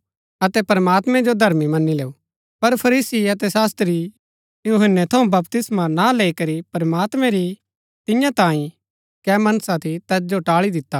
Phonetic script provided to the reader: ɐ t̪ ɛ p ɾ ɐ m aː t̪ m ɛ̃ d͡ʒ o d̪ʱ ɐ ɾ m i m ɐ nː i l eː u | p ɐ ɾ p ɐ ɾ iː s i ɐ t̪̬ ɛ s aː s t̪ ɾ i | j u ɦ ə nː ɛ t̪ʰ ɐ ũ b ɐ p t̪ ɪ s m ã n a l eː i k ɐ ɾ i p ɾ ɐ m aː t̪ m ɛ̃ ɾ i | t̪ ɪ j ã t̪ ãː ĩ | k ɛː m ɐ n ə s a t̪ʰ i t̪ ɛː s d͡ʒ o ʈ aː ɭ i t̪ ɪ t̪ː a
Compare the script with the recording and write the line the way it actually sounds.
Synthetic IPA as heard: ɐ t̪ ɛ p ɾ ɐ m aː t̪ m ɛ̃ d͡ʒ o d̪ʱ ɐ ɾ m i m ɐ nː i l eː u | p ɐ ɾ pʰ ɐ ɾ iː s i ɐ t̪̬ ɛ s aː s t̪ ɾ i | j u ɦ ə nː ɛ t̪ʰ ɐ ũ b ɐ p t̪ ɪ s m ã n a l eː i k ɐ ɾ i p ɾ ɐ m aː t̪ m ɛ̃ ɾ i | t̪ ɪ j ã t̪ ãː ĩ | k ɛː m ɐ n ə s a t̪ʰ i t̪ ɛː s d͡ʒ o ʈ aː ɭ i d̪ ɪ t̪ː a